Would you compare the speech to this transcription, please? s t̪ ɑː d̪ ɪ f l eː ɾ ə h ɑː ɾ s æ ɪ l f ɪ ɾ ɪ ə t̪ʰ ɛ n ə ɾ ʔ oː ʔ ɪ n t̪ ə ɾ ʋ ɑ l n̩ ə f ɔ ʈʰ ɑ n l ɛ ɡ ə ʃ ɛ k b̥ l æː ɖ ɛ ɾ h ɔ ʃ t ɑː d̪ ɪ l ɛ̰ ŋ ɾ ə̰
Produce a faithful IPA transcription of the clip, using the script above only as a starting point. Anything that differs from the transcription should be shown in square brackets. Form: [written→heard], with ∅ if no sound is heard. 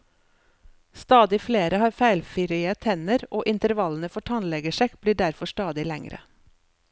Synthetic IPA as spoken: s t̪ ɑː d̪ ɪ f l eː ɾ ə h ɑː ɾ [s→f] æ ɪ l f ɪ ɾ ɪ ə t̪ʰ ɛ n ə ɾ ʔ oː ʔ ɪ n t̪ ə ɾ ʋ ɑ l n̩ ə f ɔ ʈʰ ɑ n l ɛ ɡ ə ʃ ɛ k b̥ l [æː→iː] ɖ [ɛ→æ] ɾ [h→f] ɔ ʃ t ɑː d̪ ɪ l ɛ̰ ŋ ɾ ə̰